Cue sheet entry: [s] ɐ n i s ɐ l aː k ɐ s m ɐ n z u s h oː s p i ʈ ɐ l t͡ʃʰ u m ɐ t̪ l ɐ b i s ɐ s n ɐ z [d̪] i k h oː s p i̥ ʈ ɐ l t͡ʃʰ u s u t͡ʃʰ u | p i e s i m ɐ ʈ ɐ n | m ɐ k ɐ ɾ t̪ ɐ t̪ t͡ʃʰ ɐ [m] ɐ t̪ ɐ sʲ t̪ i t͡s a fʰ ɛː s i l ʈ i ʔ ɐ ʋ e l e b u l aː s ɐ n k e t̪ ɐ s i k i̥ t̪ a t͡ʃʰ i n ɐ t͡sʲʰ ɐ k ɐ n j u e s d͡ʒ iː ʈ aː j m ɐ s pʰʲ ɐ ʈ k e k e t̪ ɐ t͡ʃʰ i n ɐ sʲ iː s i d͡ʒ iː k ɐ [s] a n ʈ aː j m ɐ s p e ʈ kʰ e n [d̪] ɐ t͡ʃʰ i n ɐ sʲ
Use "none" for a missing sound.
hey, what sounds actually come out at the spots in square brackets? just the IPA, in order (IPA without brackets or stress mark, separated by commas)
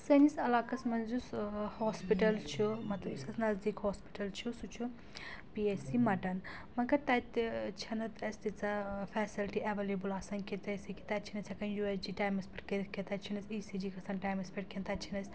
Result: s, d̪, n, s, t̪